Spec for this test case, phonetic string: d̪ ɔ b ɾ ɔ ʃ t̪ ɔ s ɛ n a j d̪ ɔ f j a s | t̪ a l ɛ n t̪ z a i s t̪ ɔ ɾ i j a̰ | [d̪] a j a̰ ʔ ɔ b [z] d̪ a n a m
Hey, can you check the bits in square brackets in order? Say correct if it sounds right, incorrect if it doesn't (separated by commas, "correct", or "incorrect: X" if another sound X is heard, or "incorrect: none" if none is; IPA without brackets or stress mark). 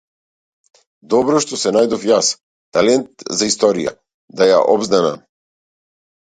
correct, correct